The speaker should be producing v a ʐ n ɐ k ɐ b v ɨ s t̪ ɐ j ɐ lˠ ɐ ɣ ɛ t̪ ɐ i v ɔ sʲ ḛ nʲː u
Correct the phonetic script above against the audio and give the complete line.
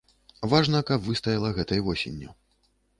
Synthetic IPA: v a ʐ n ɐ k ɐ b v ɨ s t̪ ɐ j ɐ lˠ ɐ ɣ ɛ t̪ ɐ j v ɔ sʲ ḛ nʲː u